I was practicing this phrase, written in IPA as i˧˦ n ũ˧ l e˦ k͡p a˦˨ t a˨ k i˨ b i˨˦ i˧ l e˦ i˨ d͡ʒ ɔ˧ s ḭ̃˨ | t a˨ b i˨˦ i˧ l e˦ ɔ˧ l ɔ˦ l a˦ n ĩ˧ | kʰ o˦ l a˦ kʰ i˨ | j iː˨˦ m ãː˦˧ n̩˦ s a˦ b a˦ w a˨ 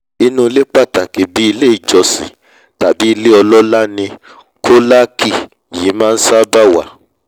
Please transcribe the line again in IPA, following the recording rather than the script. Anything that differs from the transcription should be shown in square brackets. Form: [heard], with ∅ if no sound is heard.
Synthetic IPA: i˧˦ n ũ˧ l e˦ k͡p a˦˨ t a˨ k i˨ b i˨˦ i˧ l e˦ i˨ d͡ʒ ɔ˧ s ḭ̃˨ | t a˨ b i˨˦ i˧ l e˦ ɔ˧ l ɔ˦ l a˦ n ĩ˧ | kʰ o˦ l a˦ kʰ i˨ | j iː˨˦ m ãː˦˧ n̩˦ s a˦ b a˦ w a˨